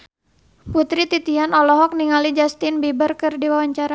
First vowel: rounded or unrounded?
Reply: rounded